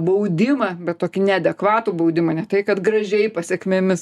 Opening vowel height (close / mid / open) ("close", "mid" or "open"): open